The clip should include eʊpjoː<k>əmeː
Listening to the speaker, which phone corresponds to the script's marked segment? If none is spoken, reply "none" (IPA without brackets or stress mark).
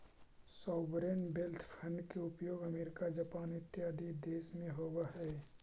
ɡ